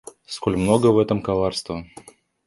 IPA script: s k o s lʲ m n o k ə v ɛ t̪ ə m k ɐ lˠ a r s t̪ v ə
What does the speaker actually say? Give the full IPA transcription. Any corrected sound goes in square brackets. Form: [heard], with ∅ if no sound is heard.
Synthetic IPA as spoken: s k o [∅] lʲ m n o [ɡ] ə v ɛ t̪ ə m k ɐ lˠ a r s t̪ v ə